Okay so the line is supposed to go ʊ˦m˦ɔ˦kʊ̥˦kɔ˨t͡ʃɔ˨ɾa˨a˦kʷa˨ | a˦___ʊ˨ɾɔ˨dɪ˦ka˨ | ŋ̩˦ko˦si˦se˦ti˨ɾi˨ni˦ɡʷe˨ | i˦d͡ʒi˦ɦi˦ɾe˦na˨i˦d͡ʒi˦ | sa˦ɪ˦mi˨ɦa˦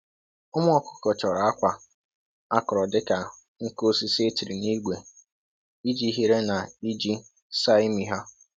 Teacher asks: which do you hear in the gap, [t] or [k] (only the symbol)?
k